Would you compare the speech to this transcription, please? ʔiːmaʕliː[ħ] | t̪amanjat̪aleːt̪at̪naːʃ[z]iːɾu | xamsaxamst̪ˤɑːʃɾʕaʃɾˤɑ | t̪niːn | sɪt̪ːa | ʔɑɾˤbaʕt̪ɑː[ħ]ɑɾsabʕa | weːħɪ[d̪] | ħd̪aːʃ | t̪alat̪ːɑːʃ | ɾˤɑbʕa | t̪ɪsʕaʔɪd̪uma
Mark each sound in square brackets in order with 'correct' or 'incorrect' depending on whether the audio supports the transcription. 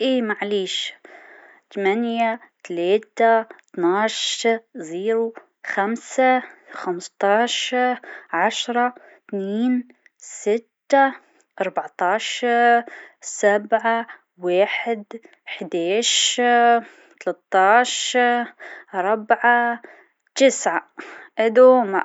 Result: incorrect: ʃ, correct, incorrect: ʃ, correct

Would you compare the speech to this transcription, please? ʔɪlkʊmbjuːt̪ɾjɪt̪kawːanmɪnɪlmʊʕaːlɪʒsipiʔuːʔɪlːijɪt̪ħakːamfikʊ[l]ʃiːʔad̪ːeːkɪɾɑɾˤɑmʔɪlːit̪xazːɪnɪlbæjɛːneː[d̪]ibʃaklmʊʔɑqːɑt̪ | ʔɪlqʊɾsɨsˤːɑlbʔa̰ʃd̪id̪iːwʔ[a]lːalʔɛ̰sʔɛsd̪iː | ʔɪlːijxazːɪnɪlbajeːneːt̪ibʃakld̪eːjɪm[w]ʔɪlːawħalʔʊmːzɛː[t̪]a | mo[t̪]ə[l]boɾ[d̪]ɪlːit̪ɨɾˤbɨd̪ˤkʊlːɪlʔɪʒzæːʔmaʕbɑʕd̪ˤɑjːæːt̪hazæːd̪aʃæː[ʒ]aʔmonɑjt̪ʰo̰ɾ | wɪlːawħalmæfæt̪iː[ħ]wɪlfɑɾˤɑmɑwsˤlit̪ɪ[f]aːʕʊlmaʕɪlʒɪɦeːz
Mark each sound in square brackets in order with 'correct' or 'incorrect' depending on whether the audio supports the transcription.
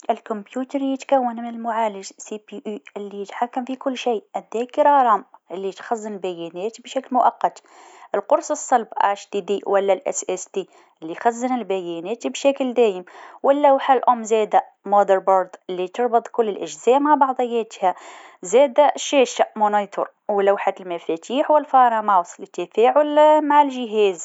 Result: incorrect: lː, incorrect: t̪, correct, correct, incorrect: d̪, incorrect: d̪, incorrect: ɾ, correct, incorrect: ʃ, correct, correct

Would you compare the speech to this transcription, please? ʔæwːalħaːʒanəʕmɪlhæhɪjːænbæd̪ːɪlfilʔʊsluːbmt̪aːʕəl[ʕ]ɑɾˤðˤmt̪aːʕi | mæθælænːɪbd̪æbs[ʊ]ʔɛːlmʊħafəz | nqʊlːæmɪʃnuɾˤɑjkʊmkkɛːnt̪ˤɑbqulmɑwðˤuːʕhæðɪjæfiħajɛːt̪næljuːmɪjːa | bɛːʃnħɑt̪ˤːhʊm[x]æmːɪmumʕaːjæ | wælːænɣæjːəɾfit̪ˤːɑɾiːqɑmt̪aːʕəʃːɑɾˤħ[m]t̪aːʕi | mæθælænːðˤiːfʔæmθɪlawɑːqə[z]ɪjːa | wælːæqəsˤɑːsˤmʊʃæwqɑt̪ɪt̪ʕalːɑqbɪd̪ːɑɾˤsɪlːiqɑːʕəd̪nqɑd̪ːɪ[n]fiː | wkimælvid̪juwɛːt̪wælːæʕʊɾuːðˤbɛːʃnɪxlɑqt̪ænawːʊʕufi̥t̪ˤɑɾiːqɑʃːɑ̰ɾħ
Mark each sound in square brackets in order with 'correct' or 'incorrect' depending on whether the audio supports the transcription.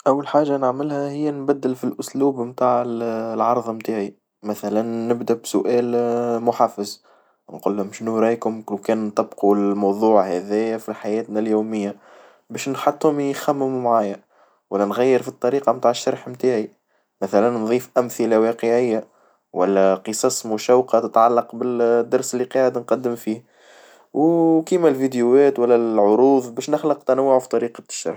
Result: correct, correct, correct, correct, incorrect: ʕ, incorrect: m

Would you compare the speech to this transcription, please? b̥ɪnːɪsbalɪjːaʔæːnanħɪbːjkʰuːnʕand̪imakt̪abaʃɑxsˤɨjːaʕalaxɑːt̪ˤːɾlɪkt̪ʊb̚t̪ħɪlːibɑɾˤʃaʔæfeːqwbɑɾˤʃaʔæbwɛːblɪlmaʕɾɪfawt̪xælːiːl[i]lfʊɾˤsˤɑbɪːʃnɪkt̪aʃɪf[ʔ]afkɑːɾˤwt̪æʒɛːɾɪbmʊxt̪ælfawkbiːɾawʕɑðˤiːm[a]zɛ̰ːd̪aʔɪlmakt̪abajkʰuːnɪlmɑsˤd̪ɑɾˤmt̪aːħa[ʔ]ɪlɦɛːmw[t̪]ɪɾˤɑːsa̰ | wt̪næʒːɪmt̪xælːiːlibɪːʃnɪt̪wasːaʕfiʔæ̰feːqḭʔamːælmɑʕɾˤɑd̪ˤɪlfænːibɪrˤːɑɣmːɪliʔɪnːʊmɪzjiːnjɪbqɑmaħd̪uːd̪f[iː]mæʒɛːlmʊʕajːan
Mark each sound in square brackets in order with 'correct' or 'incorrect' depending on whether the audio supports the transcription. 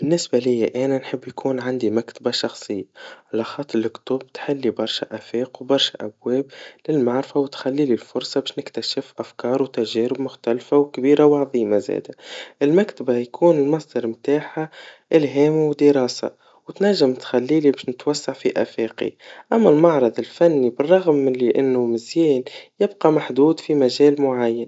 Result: correct, correct, correct, correct, incorrect: d̪, incorrect: i

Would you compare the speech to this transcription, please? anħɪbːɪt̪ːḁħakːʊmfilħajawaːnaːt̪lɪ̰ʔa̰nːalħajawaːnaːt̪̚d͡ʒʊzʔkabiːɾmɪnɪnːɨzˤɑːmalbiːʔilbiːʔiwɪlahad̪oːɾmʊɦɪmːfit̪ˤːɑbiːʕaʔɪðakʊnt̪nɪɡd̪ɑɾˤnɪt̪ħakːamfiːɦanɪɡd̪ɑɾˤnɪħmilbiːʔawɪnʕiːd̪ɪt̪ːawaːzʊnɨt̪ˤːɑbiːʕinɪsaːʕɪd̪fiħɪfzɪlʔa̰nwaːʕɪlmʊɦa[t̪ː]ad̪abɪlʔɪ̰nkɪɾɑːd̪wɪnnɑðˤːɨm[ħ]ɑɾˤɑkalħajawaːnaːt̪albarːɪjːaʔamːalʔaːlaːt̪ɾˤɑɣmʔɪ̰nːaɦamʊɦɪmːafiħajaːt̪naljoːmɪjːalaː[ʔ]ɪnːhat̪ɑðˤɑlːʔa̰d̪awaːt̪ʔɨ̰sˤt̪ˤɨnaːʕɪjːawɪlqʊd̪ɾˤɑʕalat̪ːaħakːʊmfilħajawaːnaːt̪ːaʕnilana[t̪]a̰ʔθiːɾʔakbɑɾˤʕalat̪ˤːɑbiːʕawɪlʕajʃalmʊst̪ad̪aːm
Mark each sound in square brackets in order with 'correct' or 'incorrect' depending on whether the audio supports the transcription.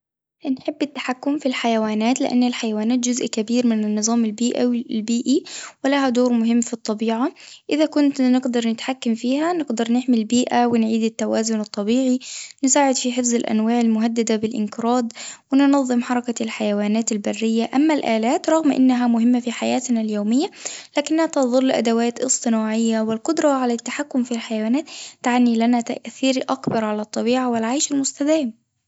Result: incorrect: d̪ː, correct, incorrect: k, correct

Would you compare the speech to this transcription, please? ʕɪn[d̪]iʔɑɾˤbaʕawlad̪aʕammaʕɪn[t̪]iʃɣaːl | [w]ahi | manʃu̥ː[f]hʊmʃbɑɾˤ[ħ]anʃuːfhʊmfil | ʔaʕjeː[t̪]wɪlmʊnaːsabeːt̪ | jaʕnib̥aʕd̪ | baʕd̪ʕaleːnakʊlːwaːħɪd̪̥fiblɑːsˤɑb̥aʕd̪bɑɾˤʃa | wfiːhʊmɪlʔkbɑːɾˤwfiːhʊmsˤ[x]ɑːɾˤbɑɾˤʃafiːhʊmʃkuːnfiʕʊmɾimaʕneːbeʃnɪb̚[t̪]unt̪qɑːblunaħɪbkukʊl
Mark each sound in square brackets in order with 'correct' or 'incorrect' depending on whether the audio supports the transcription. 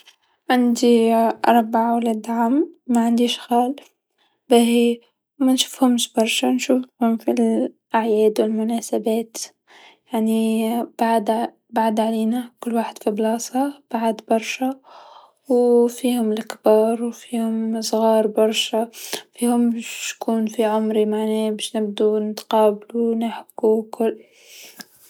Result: correct, incorrect: d̪, incorrect: b, correct, incorrect: ʃ, incorrect: d̪, incorrect: ɣ, incorrect: d̪

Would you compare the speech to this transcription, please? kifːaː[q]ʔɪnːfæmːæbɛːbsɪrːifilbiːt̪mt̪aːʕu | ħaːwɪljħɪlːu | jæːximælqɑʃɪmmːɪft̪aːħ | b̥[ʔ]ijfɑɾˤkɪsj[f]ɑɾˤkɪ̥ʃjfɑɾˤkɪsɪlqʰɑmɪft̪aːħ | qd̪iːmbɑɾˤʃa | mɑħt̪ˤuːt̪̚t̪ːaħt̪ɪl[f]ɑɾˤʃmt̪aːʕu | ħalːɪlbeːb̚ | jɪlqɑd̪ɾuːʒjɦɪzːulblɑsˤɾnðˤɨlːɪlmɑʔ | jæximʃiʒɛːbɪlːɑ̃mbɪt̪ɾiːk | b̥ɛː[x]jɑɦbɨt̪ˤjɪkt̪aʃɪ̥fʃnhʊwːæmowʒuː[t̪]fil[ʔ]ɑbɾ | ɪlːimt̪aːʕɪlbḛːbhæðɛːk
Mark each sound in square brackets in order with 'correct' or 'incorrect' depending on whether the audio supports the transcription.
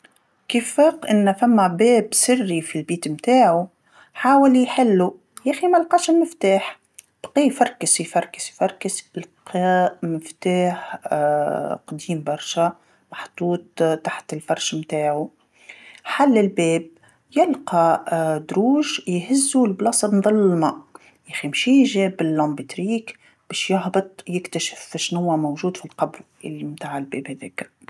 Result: correct, incorrect: q, correct, correct, incorrect: ʃ, incorrect: d̪, incorrect: q

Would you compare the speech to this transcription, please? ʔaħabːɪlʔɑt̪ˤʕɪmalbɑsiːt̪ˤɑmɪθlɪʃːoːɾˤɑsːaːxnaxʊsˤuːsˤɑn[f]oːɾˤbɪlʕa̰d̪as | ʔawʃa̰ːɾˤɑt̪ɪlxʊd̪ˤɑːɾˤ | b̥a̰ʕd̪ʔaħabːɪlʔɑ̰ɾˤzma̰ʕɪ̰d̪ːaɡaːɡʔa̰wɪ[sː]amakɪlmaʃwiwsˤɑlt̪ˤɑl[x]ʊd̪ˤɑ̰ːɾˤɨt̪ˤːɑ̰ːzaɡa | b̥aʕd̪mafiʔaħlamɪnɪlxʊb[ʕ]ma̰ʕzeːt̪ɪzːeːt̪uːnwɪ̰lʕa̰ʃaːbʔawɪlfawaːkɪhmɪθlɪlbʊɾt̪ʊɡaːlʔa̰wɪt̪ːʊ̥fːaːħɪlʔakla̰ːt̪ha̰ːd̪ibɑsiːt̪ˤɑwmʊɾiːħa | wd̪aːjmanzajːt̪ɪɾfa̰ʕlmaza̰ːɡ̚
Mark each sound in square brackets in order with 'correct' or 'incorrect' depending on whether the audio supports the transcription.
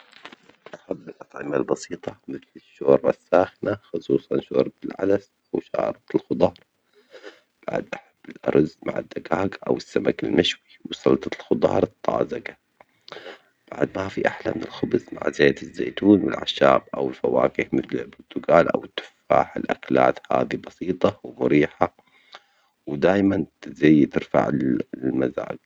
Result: incorrect: ʃ, correct, correct, incorrect: z

